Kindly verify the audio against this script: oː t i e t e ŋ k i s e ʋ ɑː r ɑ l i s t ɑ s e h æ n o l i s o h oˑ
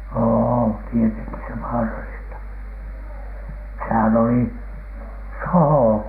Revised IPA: oː t i e t e ŋ k i s e ʋ ɑː r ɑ l i s t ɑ s e h æ n o l i s o h oˑ